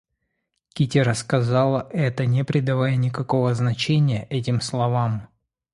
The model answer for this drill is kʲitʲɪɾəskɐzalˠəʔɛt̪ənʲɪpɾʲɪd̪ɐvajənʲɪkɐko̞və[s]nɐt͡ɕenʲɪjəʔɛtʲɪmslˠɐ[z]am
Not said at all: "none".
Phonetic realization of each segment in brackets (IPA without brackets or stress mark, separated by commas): z, v